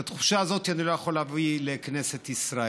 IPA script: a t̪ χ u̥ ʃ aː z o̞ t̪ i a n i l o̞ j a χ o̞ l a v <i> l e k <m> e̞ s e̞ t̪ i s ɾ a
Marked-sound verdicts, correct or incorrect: correct, incorrect: n

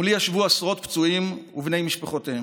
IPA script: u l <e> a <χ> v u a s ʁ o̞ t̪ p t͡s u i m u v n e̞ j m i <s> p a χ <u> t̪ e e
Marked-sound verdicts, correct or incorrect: incorrect: i, incorrect: ʃ, incorrect: ʃ, incorrect: o

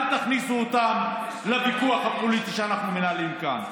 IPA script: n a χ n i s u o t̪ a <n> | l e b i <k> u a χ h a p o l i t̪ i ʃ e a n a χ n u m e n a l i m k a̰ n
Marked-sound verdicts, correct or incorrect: incorrect: m, correct

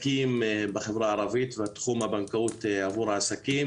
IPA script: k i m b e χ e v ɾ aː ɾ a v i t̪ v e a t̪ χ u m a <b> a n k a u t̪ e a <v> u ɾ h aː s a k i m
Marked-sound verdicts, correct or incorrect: correct, correct

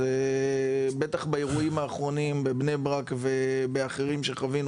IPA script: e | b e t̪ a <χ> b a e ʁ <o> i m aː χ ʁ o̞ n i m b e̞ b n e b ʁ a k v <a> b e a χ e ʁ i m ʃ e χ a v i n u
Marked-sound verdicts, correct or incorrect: correct, incorrect: u, incorrect: e

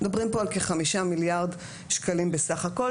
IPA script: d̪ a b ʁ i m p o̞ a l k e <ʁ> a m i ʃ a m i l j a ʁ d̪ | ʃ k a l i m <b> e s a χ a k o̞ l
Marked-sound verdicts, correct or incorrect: incorrect: χ, correct

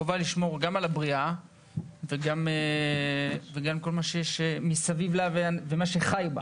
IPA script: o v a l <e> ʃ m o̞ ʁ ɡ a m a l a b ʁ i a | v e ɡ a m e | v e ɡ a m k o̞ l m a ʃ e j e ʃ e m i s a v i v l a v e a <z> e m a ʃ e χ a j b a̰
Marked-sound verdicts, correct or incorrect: incorrect: i, incorrect: v

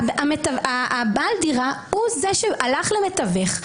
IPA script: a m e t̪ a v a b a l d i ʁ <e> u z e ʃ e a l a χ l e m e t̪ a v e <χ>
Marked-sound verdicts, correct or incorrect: incorrect: a, correct

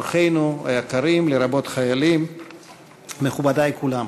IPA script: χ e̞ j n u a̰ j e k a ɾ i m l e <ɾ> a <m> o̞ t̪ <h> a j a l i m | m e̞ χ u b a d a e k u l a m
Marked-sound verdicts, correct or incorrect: correct, incorrect: b, incorrect: χ

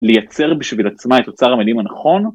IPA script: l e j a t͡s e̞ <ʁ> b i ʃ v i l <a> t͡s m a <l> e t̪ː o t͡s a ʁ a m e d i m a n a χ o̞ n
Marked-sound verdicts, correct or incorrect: correct, correct, incorrect: none

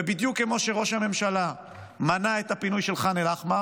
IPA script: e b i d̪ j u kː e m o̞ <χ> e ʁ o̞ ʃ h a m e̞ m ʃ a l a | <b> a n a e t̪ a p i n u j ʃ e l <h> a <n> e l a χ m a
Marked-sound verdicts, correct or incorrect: incorrect: ʃ, incorrect: m, incorrect: χ, correct

